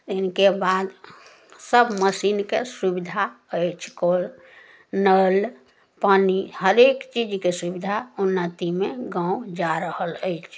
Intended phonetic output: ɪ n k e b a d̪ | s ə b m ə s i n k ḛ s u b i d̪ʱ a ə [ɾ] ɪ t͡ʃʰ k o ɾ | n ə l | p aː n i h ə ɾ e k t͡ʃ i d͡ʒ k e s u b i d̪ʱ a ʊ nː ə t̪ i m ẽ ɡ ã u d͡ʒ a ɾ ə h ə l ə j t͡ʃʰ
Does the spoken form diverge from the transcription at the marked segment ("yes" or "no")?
yes